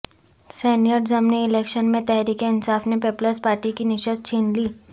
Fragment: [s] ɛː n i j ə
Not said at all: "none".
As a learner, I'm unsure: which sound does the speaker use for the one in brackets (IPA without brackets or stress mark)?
s